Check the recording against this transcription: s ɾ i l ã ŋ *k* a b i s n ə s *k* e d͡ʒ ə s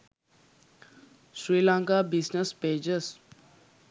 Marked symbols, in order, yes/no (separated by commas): yes, no